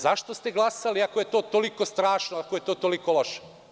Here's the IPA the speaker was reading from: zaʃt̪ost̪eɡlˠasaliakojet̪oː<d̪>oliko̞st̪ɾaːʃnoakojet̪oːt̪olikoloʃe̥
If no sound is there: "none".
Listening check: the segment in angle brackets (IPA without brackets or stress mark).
t̪